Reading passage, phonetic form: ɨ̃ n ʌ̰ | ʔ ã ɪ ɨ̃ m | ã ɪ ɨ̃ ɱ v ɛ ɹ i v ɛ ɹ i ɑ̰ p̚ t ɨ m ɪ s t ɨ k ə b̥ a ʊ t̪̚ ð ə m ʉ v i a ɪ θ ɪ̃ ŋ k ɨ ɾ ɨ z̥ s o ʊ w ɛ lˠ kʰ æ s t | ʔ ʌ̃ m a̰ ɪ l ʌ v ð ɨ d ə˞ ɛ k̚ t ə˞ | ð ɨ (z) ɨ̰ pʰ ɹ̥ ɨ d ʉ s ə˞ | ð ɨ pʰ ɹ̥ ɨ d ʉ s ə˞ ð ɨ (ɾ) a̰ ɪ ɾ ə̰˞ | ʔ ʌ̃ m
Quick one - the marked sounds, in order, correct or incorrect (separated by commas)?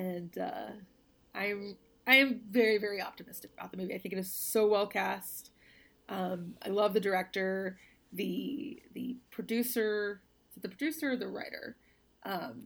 incorrect, incorrect